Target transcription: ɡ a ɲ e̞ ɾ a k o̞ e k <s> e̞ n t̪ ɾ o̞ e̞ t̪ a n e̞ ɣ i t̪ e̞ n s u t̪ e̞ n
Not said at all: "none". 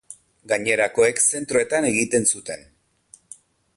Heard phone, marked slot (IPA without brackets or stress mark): s